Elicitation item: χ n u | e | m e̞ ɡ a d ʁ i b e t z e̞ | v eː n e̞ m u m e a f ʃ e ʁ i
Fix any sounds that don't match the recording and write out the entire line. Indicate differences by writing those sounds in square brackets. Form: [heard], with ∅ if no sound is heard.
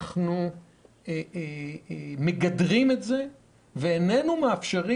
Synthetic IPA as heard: χ n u | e | m e̞ ɡ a d ʁ i [m] e t z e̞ | v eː n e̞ [n] u m e a f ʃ e ʁ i

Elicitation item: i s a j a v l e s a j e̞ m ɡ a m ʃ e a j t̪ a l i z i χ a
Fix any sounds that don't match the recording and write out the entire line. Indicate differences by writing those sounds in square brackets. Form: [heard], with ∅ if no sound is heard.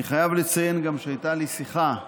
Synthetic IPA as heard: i [χ] a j a v l e [t͡s] a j e̞ [n] ɡ a m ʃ e a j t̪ a l i [s] i χ a

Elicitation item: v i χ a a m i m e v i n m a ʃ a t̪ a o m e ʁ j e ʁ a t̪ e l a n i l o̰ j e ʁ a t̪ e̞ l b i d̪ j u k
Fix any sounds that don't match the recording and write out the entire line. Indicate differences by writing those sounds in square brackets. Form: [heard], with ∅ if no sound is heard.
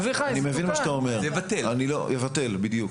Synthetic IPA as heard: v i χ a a [n] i m e v i n m a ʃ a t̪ a o m e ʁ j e [v] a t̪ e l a n i l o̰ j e [v] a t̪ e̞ l b i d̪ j u k

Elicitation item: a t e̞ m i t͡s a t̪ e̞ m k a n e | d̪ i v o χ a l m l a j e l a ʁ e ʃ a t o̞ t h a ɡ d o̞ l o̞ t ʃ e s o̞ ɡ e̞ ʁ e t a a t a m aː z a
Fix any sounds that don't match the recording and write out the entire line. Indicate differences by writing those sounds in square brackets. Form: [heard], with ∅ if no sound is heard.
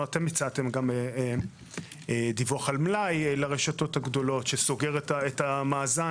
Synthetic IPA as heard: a t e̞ m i t͡s a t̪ e̞ m [ɡ] a [m] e | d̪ i v o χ a l m l a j e l a ʁ e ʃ a t o̞ t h a ɡ d o̞ l o̞ t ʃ e s o̞ ɡ e̞ ʁ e t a [e] t a m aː z a

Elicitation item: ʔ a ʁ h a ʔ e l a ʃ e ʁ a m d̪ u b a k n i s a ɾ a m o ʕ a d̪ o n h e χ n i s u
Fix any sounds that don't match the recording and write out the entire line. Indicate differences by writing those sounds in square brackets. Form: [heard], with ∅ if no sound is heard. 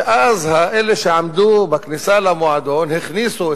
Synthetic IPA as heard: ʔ a [z] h a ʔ e l [e] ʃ e [ʕ] a m d̪ u b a k n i s a [l] a m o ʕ a d̪ o n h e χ n i s u

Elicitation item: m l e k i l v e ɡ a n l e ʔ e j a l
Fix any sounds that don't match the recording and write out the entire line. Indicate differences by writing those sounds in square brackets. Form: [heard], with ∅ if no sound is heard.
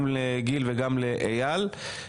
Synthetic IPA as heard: m l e [ɡ] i l v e ɡ a [m] l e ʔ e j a l

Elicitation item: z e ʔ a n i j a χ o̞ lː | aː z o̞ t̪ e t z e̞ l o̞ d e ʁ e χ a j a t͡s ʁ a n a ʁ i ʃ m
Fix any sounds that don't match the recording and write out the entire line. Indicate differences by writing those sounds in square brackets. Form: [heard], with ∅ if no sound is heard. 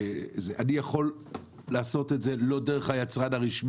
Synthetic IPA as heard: z e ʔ a n i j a χ o̞ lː | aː [s] o̞ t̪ e t z e̞ l o̞ d e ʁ e χ a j a t͡s ʁ a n a ʁ i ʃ m

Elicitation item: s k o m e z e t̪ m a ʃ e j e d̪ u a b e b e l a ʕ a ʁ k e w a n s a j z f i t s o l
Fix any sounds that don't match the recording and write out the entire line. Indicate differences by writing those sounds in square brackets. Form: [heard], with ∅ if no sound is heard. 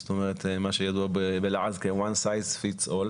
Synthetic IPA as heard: s [t] o m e [ʁ] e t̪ m a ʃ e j [a] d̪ u a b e b e l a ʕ a [z] k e w a n s a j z f i t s o l

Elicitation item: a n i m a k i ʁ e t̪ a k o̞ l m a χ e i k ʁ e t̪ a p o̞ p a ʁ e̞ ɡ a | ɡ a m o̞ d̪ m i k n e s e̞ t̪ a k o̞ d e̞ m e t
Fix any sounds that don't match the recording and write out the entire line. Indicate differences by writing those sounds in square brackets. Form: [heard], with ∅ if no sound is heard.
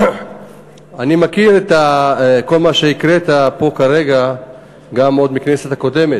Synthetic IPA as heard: a n i m a k i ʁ e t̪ a k o̞ l m a [ʃ] e i k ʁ e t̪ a p o̞ [k] a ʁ e̞ ɡ a | ɡ a m o̞ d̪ m i k n e s e̞ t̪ a k o̞ d e̞ m e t

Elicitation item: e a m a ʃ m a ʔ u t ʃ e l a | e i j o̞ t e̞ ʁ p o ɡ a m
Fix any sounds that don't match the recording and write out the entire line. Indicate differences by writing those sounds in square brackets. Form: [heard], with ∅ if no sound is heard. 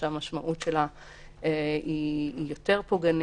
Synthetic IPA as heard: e a m a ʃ m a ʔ u t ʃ e l a | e i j o̞ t e̞ ʁ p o ɡ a [n]

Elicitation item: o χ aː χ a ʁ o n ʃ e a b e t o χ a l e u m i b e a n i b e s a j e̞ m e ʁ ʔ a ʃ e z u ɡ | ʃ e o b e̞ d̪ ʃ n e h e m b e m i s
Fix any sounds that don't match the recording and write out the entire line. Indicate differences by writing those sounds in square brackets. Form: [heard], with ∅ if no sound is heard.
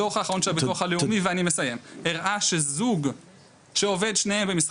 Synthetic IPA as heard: o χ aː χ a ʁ o n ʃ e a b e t o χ a l e u m i [v] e a n i [m] e s a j e̞ m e ʁ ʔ a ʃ e z u ɡ | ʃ e o [v] e̞ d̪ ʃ n e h e m b e m i s

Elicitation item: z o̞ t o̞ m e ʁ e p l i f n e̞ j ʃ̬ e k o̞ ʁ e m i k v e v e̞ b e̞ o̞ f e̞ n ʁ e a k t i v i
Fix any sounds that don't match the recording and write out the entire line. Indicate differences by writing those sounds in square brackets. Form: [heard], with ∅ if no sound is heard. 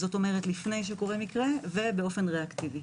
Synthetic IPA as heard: z o̞ t o̞ m e ʁ e [t] l i f n e̞ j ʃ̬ e k o̞ ʁ e m i k [ʁ] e v e̞ b e̞ o̞ f e̞ n ʁ e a k t i v i

